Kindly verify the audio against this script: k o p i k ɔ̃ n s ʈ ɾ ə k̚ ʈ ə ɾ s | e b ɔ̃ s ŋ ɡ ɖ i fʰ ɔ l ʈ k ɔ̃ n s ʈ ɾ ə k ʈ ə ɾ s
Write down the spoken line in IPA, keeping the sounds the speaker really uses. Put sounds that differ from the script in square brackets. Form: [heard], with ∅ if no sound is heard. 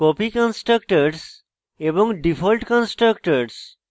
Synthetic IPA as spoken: k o p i k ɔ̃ n s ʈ ɾ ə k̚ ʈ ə ɾ s | e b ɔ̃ [∅] ŋ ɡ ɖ i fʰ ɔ l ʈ k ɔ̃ n s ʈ ɾ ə k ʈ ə ɾ s